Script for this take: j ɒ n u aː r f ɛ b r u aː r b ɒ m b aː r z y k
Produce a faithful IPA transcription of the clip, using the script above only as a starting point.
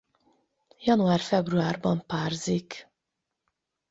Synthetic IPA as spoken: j ɒ n u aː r f ɛ b r u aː r b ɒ m p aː r z i k